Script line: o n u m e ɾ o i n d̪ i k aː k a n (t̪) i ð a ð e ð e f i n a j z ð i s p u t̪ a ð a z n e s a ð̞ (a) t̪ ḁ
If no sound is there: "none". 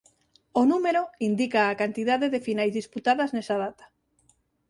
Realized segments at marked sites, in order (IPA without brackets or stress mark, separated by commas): t̪, a